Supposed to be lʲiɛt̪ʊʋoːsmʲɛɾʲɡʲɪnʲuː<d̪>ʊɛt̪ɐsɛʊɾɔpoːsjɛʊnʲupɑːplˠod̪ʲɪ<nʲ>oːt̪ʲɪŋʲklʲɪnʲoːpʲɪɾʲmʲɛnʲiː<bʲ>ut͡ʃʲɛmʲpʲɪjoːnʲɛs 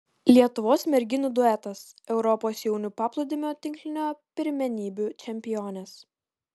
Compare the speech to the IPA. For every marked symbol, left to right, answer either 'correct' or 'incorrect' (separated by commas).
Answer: correct, incorrect, correct